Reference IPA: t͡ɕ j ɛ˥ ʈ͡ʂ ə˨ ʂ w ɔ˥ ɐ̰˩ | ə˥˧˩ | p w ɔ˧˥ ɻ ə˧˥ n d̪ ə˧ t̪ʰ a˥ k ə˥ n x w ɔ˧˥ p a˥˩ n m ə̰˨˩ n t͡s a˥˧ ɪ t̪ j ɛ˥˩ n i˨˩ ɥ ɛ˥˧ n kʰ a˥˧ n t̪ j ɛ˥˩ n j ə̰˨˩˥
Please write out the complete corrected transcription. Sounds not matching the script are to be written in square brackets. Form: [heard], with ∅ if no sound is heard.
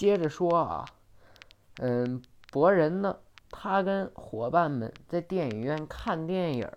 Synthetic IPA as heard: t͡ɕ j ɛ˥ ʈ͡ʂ ə˨ ʂ w ɔ˥ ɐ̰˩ | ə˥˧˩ | p w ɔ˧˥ ɻ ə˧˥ n d̪ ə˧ t̪ʰ a˥ k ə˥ n x w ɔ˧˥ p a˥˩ n m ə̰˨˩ n t͡s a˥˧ ɪ t̪ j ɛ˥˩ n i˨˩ ɥ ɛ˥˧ n kʰ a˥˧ n t̪ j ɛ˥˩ n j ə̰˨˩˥